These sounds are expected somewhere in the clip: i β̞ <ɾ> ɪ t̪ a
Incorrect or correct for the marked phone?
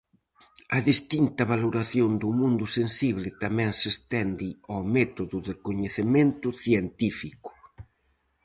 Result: incorrect: l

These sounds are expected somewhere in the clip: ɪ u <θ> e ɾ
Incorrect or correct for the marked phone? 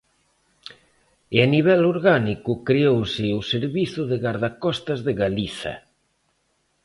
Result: incorrect: s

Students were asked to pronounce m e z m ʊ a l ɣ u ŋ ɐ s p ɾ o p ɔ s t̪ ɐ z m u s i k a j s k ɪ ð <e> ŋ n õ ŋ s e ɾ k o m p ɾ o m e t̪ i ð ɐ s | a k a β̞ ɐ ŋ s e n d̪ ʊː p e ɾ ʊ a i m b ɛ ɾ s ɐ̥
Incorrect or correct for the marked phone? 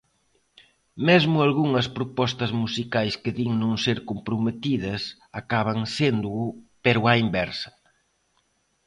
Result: incorrect: i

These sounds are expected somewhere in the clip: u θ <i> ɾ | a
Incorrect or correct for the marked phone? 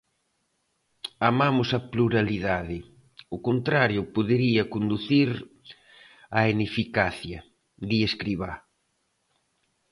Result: correct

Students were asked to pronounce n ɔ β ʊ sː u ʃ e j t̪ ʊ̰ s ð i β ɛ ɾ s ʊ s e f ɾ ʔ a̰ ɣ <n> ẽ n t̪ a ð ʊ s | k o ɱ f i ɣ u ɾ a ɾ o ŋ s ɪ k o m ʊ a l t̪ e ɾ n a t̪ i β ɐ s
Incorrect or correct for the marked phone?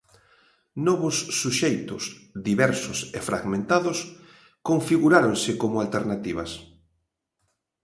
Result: incorrect: m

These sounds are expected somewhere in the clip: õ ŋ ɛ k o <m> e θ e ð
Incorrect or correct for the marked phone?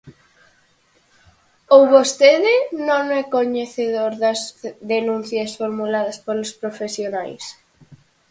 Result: incorrect: ɲ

